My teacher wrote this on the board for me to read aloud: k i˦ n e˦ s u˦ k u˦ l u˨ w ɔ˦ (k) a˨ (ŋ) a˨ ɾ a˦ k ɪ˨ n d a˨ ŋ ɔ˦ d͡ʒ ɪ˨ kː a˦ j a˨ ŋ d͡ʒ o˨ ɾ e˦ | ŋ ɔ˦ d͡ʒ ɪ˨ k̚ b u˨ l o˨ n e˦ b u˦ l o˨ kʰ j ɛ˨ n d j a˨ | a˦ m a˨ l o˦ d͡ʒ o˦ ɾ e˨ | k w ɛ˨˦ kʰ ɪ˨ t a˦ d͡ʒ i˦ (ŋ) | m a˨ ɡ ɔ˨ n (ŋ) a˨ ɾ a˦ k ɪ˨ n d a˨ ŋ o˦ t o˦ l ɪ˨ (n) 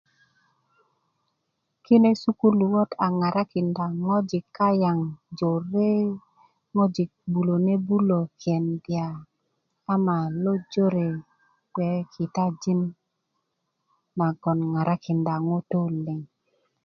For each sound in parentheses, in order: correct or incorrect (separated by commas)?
incorrect, correct, incorrect, correct, incorrect